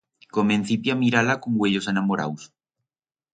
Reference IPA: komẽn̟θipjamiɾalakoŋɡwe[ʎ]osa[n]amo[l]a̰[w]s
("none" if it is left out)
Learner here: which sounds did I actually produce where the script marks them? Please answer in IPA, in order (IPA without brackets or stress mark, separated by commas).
ʎ, n, ɾ, w